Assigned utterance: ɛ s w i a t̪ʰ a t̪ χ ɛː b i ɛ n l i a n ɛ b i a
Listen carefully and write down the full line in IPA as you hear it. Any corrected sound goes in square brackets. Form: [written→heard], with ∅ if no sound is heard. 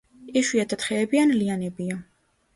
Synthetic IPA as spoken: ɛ [s→ʃ] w i a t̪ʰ a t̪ χ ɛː b i [ɛ→a] n l i a n ɛ b i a